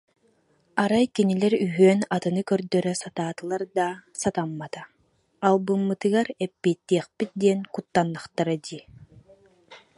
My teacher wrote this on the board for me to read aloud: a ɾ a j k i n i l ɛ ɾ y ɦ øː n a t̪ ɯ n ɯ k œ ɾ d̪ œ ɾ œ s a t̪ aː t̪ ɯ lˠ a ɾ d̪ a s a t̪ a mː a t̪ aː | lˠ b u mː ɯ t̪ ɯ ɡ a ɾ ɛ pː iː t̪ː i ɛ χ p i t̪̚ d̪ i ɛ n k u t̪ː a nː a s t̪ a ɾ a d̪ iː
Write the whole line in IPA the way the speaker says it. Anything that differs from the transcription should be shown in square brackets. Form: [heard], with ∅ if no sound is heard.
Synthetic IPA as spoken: a ɾ a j k i n i l ɛ ɾ y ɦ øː n a t̪ ɯ n ɯ k œ ɾ d̪ œ ɾ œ s a t̪ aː t̪ ɯ lˠ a ɾ d̪ a s a t̪ a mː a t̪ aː | lˠ b [ɯ] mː ɯ t̪ ɯ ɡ a ɾ ɛ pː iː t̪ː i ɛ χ p i t̪̚ d̪ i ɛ n k u t̪ː a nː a [χ] t̪ a ɾ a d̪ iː

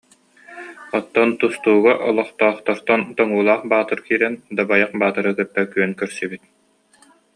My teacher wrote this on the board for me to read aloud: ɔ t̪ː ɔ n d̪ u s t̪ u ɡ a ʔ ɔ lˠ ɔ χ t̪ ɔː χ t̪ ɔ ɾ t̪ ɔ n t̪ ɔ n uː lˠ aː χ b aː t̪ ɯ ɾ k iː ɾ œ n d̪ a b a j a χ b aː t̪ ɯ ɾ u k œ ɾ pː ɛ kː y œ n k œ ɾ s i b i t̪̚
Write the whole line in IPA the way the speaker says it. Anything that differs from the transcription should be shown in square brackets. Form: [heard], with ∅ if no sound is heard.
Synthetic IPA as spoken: ɔ t̪ː ɔ n [t̪] u s t̪ [uː] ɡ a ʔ ɔ lˠ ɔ χ t̪ ɔː χ t̪ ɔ ɾ t̪ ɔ n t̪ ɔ [ŋ] uː lˠ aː χ b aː t̪ ɯ ɾ k iː ɾ [ɛ] n d̪ a b a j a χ b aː t̪ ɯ ɾ [ɯ] k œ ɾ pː ɛ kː y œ n k œ ɾ s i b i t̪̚

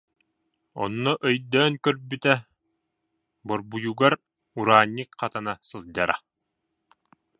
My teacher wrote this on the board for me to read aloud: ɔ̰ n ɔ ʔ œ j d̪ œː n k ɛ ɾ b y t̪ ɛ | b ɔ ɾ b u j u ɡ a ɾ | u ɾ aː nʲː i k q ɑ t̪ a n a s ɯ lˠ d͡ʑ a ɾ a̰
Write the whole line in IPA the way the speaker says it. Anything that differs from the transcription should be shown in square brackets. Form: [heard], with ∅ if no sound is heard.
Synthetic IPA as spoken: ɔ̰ [nː] ɔ ʔ œ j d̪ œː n k [œ] ɾ b y t̪ ɛ | b ɔ ɾ b u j u ɡ a ɾ | u ɾ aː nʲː i k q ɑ t̪ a n a s ɯ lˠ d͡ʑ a ɾ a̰

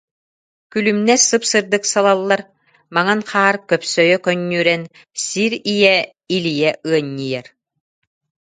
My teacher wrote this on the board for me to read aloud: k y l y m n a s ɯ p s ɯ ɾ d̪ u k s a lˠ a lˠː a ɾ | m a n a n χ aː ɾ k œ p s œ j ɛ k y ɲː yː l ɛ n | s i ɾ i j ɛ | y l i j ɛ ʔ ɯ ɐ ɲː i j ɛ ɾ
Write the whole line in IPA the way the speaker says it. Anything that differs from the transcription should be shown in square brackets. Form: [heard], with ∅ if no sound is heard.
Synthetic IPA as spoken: k y l y m n [ɛ] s ɯ p s ɯ ɾ d̪ [ɯ] k s a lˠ a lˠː a ɾ | m a [ŋ] a n χ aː ɾ k œ p s œ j [œ] k [œ] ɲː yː [ɾ] ɛ n | s i ɾ i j ɛ | [i] l i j ɛ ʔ ɯ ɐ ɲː i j ɛ ɾ

